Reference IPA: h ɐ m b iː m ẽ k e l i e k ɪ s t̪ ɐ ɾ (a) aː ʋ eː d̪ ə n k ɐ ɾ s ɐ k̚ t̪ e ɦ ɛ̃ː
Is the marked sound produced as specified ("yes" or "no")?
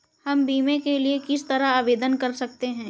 yes